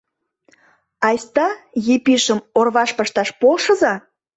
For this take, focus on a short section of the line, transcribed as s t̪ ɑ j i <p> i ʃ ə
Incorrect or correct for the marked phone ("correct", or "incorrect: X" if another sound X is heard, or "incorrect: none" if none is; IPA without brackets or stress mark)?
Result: correct